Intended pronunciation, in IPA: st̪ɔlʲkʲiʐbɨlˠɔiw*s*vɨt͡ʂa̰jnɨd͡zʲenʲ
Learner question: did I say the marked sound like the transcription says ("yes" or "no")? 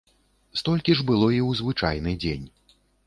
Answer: no